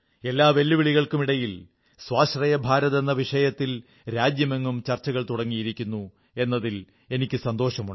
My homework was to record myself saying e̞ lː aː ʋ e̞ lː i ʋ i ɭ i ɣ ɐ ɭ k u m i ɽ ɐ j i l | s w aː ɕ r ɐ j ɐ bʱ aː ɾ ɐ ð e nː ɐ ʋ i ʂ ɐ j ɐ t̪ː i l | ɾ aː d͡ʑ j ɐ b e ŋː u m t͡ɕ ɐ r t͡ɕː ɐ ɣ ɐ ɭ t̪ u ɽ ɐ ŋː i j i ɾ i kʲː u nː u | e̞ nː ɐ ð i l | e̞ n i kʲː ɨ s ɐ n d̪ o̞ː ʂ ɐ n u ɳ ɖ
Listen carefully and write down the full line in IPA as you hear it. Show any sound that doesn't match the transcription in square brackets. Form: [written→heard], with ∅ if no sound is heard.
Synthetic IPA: e̞ lː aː ʋ e̞ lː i ʋ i ɭ i ɣ ɐ ɭ k u m i ɽ ɐ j i l | s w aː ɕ r ɐ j ɐ bʱ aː ɾ ɐ ð e nː ɐ ʋ i ʂ ɐ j ɐ t̪ː i l | ɾ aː d͡ʑ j ɐ [b→m] e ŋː u m t͡ɕ ɐ r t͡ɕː ɐ ɣ ɐ ɭ t̪ u ɽ ɐ ŋː i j i ɾ i kʲː u nː u | e̞ nː ɐ ð i l | e̞ n i kʲː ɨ s ɐ n d̪ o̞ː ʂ ɐ [n→m] u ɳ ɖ